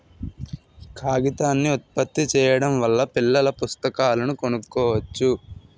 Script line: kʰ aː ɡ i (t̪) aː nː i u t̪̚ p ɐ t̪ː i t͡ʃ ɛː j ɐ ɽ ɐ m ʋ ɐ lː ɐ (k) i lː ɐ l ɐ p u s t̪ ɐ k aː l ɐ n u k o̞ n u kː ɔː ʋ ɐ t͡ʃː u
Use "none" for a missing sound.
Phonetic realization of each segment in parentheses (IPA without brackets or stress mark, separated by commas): t̪, p